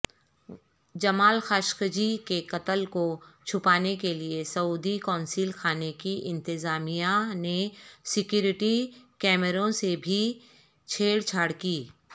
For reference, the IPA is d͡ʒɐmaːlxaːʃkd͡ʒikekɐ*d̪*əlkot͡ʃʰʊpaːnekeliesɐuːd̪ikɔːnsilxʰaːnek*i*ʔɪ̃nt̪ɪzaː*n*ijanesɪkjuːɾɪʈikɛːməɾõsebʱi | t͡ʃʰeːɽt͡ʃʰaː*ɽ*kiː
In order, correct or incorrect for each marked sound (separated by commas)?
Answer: incorrect, correct, incorrect, correct